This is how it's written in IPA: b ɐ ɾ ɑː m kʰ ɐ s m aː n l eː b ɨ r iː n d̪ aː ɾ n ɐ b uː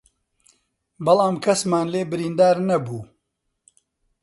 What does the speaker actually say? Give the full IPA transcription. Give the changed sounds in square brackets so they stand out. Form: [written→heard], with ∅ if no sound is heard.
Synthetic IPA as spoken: b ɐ [ɾ→l] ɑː m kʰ ɐ s m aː n l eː b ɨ [r→ɾ] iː n d̪ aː ɾ n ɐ b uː